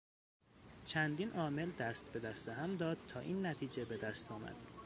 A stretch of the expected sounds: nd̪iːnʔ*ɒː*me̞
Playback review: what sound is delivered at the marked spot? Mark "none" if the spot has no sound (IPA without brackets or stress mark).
ɒː